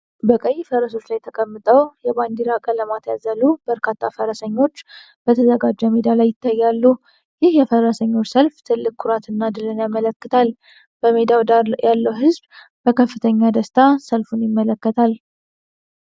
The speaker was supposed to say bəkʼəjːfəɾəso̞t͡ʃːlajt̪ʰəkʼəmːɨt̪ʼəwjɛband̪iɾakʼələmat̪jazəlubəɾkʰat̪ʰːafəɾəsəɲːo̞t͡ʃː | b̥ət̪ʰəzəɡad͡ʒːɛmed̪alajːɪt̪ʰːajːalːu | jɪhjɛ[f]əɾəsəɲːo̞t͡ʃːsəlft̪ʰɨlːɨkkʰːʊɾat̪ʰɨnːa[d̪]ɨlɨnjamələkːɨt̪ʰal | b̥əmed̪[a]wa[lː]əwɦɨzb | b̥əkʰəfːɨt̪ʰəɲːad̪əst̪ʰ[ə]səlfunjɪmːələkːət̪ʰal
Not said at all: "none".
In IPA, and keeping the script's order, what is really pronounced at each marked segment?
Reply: f, d̪, a, lː, a

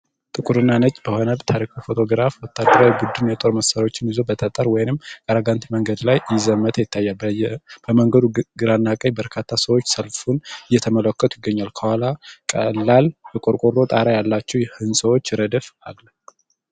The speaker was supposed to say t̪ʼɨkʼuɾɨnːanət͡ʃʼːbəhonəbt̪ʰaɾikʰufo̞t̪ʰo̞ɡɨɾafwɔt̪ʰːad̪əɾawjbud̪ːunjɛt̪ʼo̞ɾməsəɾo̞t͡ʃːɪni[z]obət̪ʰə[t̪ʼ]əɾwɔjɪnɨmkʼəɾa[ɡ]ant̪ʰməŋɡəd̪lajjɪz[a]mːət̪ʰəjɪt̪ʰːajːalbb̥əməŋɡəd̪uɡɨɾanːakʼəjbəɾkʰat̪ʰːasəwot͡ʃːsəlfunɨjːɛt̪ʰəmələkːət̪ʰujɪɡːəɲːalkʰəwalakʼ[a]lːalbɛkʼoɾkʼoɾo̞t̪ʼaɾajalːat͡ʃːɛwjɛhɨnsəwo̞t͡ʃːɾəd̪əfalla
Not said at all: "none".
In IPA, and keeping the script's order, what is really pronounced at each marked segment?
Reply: z, t̪ʼ, ɡ, ə, ə

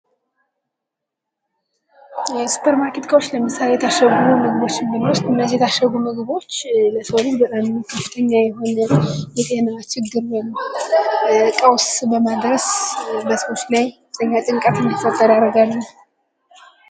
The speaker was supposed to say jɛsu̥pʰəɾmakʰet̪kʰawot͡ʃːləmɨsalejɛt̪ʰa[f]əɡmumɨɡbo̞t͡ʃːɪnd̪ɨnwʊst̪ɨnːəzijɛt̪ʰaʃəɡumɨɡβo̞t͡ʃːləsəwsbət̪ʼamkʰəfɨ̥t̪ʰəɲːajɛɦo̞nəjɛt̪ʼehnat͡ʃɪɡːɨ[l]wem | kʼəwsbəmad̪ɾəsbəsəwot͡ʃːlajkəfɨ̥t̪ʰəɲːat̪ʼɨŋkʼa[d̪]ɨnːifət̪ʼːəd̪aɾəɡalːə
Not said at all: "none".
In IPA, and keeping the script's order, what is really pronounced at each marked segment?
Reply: ʃ, ɾ, t̪

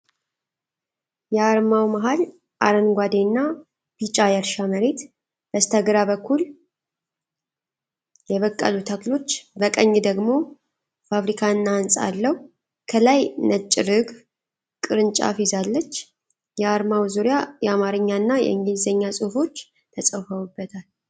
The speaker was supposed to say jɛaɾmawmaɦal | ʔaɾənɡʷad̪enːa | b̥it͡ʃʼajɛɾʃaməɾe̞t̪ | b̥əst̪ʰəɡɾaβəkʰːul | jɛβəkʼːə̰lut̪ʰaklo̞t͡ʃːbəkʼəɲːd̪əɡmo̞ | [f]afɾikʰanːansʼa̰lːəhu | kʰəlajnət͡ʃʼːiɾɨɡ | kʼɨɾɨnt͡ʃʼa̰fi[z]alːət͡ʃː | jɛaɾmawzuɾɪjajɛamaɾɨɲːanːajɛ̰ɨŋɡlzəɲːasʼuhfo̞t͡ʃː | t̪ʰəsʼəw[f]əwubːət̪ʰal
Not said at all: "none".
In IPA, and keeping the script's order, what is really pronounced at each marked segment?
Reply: f, z, f

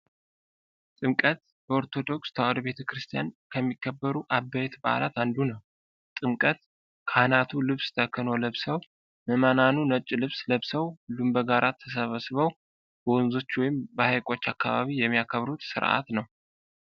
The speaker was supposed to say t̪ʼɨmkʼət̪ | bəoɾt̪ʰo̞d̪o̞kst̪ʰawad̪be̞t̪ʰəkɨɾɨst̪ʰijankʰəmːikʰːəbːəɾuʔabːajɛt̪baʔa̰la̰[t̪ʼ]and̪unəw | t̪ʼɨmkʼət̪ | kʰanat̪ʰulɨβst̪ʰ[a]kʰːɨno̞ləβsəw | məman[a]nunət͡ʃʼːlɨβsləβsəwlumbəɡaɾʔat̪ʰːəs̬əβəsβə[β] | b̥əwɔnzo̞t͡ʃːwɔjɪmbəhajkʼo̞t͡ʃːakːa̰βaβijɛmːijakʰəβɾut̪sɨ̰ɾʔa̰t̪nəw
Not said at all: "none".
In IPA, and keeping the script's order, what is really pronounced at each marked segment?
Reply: t̪, ə, a, w

